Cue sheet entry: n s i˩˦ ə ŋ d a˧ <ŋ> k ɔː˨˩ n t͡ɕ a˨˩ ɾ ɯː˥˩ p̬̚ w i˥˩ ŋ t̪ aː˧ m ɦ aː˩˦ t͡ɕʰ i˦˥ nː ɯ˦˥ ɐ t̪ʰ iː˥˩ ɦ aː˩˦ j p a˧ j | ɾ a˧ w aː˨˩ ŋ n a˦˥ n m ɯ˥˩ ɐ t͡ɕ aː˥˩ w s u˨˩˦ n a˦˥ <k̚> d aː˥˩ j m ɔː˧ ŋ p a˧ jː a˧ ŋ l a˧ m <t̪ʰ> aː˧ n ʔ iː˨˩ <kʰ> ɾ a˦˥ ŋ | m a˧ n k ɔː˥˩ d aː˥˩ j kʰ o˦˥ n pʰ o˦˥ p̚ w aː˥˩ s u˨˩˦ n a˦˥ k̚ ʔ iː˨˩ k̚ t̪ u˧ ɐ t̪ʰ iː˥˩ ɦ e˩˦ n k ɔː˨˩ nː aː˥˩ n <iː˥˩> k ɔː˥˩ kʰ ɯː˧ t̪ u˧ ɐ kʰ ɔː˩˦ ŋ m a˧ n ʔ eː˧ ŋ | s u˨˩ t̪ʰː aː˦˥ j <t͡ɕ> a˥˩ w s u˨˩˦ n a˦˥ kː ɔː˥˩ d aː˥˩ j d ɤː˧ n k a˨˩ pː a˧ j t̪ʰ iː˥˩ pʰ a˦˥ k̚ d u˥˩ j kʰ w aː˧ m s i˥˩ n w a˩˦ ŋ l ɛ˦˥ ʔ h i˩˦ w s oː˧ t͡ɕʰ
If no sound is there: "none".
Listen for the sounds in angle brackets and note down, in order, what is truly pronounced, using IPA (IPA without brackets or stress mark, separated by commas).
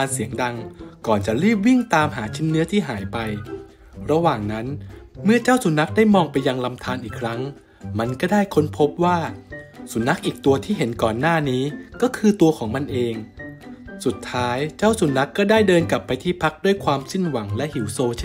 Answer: ŋ, k̚, t̪ʰ, kʰ, iː˦˥, t͡ɕ